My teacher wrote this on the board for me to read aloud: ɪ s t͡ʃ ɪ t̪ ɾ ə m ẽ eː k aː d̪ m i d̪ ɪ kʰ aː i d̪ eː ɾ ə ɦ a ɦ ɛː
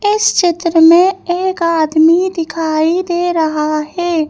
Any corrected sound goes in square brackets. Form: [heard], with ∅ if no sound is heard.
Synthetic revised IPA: ɪ s t͡ʃ ɪ t̪ ɾ ə m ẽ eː k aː d̪ m i d̪ ɪ kʰ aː i d̪ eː ɾ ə ɦ a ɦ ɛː